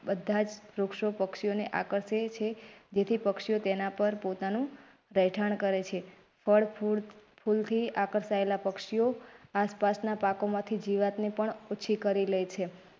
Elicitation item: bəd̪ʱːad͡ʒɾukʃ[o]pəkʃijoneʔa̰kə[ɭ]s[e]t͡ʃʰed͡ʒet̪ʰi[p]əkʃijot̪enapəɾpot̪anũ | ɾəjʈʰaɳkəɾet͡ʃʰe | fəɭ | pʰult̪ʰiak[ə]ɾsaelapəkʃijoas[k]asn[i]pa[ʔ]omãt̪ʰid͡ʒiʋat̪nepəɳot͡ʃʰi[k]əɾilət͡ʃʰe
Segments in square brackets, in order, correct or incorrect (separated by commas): correct, incorrect, correct, correct, correct, incorrect, incorrect, incorrect, correct